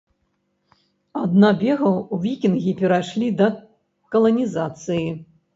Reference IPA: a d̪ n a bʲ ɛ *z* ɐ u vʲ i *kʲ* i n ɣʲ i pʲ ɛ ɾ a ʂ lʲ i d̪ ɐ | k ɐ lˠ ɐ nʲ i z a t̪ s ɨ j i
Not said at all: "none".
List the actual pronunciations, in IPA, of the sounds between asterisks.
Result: ɣ, kʲ

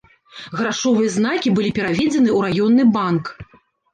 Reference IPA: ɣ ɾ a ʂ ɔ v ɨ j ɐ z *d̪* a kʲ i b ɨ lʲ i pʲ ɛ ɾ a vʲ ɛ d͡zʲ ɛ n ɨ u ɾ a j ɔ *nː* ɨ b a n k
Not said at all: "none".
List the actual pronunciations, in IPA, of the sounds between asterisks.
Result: n̪, nː

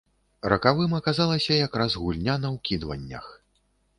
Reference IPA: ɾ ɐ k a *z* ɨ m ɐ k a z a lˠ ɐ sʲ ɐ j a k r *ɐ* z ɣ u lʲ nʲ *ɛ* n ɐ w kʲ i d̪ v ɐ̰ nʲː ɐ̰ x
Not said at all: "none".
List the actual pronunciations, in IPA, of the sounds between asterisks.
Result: v, a, a

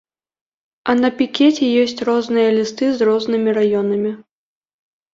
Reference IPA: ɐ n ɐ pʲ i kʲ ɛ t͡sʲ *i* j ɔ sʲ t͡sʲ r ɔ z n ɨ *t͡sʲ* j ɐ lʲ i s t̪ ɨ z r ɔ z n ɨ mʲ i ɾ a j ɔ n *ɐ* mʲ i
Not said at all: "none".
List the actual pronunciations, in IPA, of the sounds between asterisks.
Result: ɛ, none, ɐ

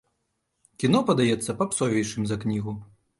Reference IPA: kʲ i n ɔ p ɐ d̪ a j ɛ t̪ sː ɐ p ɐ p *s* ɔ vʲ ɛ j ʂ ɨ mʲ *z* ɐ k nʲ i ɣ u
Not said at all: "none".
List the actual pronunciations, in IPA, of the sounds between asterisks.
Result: s, z

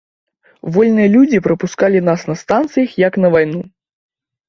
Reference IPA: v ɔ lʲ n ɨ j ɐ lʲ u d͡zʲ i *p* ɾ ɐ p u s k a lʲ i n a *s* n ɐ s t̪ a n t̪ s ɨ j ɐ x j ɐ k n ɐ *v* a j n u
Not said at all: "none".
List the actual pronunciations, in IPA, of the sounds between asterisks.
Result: p, s, v

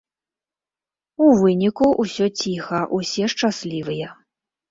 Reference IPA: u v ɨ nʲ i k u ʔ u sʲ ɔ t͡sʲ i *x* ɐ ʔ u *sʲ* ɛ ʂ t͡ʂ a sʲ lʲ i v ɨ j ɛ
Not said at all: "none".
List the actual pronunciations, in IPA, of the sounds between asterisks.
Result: x, sʲ

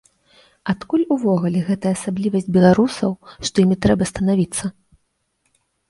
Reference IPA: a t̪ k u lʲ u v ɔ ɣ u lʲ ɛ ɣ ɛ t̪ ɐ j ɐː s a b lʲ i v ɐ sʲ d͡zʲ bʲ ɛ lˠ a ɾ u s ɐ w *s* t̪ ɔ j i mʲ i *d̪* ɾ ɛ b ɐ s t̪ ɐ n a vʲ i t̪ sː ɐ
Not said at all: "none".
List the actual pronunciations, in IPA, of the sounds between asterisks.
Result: ʂ, t̪

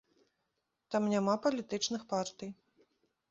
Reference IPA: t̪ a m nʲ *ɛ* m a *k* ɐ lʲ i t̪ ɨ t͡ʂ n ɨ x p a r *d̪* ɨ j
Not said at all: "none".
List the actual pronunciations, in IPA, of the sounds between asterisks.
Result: a, p, t̪

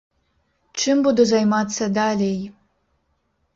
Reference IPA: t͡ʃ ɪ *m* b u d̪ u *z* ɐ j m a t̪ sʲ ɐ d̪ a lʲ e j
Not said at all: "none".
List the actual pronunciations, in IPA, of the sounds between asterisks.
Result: m, z

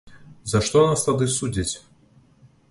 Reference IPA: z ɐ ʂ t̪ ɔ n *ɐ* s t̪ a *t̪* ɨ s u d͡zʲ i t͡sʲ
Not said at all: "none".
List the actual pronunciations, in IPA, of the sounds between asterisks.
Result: a, d̪

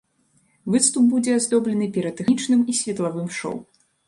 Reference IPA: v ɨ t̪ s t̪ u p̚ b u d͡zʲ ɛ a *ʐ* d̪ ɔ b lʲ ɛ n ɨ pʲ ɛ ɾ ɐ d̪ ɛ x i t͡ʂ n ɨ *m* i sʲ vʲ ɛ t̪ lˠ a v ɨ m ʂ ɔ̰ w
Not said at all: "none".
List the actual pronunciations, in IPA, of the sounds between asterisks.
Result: z, m

